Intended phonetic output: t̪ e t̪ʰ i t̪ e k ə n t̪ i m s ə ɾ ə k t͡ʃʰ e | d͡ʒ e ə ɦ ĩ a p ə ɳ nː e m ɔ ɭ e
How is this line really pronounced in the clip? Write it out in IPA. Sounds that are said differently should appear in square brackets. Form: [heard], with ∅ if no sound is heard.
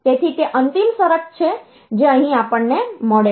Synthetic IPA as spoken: t̪ e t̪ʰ i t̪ e [ʔ] ə n t̪ i m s ə ɾ ə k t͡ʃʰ e | d͡ʒ e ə ɦ ĩ a p ə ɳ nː e m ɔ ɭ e